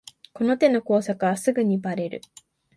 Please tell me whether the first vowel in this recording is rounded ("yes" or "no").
yes